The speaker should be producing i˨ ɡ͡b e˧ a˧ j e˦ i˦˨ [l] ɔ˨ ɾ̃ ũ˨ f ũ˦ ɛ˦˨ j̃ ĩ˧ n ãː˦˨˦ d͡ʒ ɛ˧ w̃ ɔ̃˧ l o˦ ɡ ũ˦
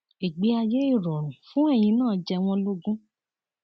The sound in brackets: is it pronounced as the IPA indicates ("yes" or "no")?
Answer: no